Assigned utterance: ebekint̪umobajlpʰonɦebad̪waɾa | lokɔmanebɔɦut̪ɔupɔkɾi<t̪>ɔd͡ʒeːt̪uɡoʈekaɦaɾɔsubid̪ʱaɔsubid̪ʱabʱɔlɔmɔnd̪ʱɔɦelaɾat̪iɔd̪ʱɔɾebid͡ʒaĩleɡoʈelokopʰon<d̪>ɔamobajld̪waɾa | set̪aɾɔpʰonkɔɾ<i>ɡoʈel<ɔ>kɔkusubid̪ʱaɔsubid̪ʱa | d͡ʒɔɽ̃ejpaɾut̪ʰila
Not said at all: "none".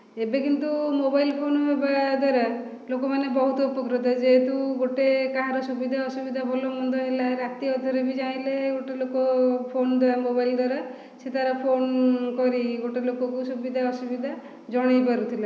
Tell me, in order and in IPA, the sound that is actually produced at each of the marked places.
t̪, d̪, i, o

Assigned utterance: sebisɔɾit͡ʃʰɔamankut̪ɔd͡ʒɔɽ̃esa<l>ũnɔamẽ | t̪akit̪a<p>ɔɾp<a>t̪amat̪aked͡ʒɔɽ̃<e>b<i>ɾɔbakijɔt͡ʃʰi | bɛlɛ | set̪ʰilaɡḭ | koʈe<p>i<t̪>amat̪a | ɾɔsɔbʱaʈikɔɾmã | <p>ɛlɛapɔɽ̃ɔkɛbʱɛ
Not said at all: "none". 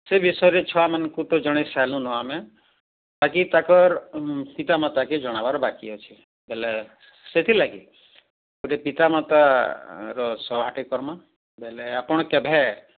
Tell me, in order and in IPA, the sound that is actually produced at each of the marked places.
l, k, i, a, a, p, t̪, b

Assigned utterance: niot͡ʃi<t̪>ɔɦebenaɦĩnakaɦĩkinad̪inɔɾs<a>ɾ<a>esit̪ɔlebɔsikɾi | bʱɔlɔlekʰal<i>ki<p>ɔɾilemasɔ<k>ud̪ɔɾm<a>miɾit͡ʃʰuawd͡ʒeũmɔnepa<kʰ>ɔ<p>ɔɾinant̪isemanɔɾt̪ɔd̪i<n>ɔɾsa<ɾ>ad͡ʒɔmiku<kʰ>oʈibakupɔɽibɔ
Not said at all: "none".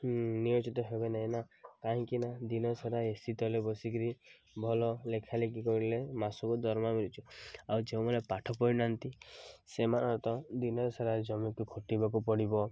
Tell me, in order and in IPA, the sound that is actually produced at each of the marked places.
t̪, a, a, e, k, k, a, ʈʰ, p, n, ɾ, kʰ

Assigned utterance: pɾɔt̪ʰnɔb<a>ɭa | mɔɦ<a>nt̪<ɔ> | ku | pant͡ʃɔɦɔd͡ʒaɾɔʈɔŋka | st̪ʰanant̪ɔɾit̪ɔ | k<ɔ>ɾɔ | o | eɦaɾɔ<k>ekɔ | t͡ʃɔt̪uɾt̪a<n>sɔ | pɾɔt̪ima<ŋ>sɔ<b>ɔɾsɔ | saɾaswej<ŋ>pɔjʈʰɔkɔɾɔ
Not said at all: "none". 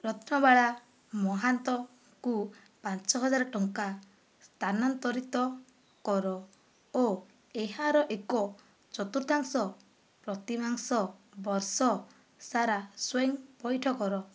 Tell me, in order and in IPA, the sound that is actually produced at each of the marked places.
a, a, ɔ, ɔ, ʔ, ŋ, ŋ, b, ŋ

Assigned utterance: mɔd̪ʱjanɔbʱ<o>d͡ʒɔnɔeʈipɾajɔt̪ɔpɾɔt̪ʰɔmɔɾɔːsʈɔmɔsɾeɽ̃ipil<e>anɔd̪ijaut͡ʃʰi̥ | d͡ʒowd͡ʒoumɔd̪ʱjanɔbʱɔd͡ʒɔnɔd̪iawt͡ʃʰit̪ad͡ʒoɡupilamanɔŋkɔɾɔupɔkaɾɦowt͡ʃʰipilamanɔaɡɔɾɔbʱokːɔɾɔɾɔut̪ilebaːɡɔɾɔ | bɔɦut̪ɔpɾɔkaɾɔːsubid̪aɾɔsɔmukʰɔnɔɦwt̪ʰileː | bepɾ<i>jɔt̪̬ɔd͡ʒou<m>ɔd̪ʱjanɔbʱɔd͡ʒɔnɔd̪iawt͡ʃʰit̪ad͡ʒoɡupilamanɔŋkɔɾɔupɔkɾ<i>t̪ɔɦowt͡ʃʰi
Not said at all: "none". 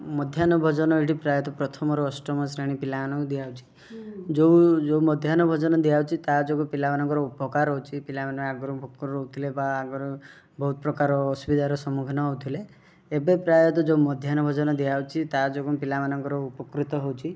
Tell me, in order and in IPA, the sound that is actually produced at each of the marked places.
ɔ, a, a, m, i

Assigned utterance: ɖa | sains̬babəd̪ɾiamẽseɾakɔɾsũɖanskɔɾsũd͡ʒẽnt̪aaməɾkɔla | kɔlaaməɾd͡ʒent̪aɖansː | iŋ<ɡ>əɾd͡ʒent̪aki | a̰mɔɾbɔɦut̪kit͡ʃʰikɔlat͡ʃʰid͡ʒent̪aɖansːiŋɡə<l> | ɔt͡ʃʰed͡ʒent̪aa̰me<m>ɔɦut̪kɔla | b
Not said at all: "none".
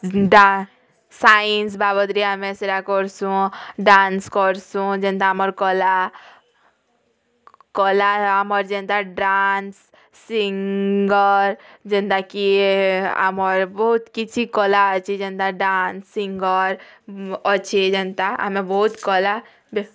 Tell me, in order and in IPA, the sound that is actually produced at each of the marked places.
ɡ, ɾ, b

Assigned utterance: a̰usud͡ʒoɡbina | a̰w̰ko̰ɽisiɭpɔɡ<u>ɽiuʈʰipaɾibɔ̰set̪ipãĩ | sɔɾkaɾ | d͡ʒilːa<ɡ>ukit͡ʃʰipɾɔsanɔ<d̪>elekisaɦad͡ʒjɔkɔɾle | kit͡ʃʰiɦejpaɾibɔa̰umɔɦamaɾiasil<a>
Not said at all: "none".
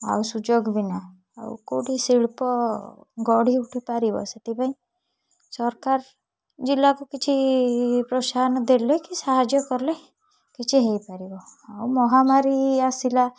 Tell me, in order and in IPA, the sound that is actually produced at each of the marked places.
ɔ, k, d̪, a

